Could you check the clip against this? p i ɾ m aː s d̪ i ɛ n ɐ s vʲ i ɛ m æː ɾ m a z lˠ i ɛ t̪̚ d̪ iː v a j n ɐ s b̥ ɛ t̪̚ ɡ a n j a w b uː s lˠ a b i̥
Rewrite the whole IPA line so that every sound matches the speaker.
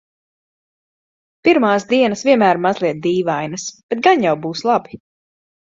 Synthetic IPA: p i ɾ m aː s d̪ i ɛ n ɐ s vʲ i ɛ m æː ɾ m a z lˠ i ɛ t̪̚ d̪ iː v a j n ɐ s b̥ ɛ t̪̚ ɡ a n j a w b uː s lˠ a b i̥

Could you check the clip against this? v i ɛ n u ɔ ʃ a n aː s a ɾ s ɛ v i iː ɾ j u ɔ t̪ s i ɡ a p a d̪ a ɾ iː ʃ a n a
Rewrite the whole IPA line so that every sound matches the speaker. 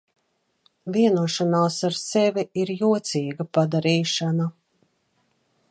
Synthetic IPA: v i ɛ n u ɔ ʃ a n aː s a ɾ s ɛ v i i ɾ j u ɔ t̪ s iː ɡ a p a d̪ a ɾ iː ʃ a n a

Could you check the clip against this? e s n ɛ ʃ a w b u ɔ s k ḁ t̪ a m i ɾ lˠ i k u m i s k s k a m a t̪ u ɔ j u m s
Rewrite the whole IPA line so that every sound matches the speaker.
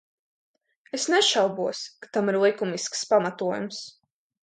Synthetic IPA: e s n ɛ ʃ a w b u ɔ s k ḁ t̪ a m i ɾ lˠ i k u m i s k s p a m a t̪ u ɔ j u m s

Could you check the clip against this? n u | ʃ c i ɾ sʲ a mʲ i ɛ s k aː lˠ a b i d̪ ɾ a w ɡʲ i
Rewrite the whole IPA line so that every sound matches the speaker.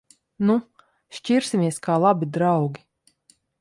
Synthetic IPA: n u | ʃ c i ɾ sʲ i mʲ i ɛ s k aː lˠ a b i d̪ ɾ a w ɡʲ i

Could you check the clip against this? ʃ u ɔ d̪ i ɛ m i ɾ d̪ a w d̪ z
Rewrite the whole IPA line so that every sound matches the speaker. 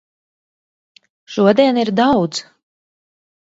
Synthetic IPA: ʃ u ɔ d̪ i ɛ n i ɾ d̪ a w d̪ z

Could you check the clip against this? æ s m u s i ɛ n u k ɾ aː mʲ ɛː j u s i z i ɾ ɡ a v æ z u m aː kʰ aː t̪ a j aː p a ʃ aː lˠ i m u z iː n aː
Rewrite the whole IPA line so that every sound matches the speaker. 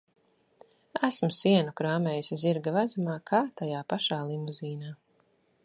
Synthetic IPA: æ s m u s i ɛ n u k ɾ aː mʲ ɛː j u s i z i ɾ ɡ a v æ z u m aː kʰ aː t̪ a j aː p a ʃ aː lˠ i m u z iː n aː

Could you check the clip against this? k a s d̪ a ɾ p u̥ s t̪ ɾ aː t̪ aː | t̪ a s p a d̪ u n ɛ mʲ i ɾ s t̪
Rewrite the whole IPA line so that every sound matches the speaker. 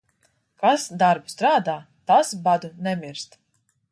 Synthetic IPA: k a s d̪ a ɾ b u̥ s t̪ ɾ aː d̪ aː | t̪ a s b a d̪ u n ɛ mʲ i ɾ s t̪

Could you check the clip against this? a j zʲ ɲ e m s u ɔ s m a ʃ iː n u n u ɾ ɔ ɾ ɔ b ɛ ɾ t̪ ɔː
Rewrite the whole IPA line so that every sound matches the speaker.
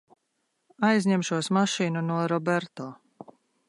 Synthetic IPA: a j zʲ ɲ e m ʃ u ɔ s m a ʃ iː n u n u ɔ ɾ ɔ b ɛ ɾ t̪ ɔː

